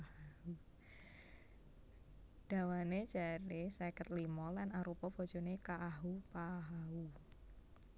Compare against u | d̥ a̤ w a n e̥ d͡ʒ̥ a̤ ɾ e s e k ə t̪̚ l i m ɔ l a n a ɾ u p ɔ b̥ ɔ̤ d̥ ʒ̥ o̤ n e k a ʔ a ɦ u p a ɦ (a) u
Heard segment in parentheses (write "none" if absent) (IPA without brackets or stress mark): a